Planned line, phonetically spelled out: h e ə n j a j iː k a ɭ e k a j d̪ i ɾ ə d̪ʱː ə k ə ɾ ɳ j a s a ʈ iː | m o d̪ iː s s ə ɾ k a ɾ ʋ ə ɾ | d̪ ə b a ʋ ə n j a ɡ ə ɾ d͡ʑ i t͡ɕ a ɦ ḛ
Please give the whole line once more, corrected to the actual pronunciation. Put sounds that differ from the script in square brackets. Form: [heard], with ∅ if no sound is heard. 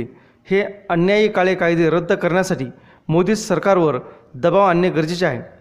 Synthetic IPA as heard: h e ə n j a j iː k a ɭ e k a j d̪ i ɾ ə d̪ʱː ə k ə ɾ ɳ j a s a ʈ iː | m o d̪ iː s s ə ɾ k a ɾ ʋ ə ɾ | d̪ ə b a ʋ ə n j [ə] ɡ ə ɾ d͡ʑ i t͡ɕ a ɦ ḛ